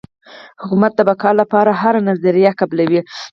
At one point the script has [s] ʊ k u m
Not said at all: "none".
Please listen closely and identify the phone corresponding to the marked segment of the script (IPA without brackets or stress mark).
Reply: h